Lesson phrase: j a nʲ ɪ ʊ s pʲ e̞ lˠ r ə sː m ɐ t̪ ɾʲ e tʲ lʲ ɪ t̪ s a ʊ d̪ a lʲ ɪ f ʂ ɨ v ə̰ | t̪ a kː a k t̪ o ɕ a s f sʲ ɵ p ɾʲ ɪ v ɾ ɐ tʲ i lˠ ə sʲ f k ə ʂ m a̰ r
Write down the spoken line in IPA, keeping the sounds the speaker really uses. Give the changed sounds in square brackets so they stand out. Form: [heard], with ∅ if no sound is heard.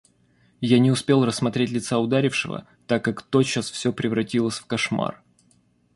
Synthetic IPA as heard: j a nʲ ɪ ʊ s pʲ e̞ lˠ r ə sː m ɐ t̪ ɾʲ e tʲ lʲ ɪ t̪ s a ʊ d̪ a [ɾʲ] ɪ f ʂ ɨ v ə̰ | t̪ a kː a k t̪ o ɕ a s f sʲ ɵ p ɾʲ ɪ v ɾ ɐ tʲ i lˠ ə sʲ f k [ɐ] ʂ m a̰ r